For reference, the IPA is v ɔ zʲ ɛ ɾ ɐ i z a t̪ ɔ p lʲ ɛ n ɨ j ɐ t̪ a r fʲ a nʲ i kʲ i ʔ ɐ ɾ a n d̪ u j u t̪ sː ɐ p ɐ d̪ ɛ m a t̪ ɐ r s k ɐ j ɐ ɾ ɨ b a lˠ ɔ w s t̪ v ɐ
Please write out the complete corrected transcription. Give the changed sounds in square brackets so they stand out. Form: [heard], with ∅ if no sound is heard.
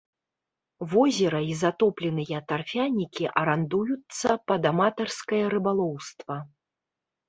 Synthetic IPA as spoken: v ɔ zʲ ɛ ɾ ɐ i z a t̪ ɔ p lʲ ɛ n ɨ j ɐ t̪ a r fʲ a nʲ i kʲ i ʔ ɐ ɾ a n d̪ u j u t̪ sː ɐ p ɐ d̪ [a] m a t̪ ɐ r s k ɐ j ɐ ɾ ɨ b a lˠ ɔ w s t̪ v ɐ